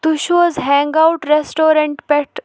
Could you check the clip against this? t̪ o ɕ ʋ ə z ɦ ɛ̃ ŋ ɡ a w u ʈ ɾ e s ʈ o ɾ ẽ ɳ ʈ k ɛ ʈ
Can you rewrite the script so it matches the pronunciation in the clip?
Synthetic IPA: t̪ u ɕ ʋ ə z ɦ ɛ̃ ŋ ɡ a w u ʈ ɾ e s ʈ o ɾ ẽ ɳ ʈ p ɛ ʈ